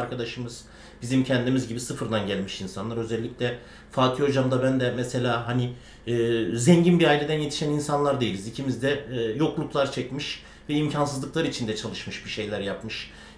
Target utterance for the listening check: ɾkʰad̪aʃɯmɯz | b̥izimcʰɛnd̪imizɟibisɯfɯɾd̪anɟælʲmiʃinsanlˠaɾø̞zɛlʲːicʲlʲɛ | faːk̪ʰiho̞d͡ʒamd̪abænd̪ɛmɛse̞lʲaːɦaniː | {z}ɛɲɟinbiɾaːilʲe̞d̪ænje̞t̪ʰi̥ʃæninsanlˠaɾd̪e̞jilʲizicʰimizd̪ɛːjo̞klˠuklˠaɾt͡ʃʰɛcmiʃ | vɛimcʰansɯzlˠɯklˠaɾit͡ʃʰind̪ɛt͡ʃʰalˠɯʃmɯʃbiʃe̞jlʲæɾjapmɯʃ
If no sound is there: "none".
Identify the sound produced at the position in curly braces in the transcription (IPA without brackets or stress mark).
z